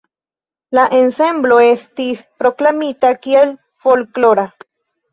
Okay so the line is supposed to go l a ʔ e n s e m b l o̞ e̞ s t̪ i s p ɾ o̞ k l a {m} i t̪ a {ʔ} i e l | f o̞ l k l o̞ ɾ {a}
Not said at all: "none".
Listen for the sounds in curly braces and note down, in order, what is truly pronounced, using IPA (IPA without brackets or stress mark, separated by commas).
m, k, a